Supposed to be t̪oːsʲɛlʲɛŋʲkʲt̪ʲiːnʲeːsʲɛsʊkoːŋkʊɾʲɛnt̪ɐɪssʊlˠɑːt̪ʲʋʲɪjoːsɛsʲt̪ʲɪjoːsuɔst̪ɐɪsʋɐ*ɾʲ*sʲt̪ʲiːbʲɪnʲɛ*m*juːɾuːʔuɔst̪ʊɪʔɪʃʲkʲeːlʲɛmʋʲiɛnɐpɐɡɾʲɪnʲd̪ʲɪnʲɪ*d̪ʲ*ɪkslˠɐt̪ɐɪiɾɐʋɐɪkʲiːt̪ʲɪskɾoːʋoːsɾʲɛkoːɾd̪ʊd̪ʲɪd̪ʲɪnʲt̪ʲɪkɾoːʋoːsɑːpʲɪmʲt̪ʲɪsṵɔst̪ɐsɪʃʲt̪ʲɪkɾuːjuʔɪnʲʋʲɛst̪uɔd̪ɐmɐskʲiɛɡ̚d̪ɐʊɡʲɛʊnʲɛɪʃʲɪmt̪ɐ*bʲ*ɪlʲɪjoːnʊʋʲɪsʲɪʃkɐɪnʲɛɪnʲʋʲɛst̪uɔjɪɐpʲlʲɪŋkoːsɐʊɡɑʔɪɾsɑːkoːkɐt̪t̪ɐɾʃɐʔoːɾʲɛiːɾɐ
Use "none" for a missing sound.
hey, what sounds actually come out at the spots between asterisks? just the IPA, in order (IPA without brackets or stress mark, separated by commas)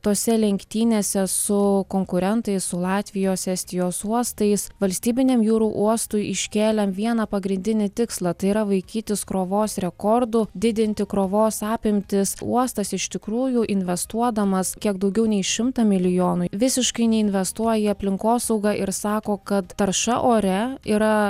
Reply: lʲ, m, t̪ʲ, mʲ